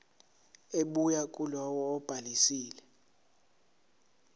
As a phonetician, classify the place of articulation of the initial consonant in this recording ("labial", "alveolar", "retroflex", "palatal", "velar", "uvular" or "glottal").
labial